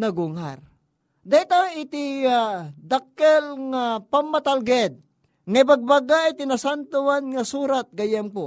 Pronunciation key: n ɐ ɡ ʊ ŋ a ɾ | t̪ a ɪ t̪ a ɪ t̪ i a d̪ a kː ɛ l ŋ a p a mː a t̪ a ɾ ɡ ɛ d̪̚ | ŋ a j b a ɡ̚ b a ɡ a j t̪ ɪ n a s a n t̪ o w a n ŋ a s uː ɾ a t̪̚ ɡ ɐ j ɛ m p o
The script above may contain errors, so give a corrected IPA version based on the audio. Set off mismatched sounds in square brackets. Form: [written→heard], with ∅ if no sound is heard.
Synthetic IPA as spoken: n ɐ ɡ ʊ ŋ a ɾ | [t̪→d̪] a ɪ t̪ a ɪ t̪ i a d̪ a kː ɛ l ŋ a p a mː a t̪ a [ɾ→l] ɡ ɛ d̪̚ | ŋ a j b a ɡ̚ b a ɡ a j t̪ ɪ n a s a n t̪ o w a n ŋ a s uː ɾ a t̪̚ ɡ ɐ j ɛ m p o